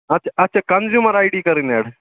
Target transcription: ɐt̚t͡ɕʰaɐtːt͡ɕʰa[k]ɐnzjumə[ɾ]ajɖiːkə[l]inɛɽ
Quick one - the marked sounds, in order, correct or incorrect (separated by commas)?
correct, correct, incorrect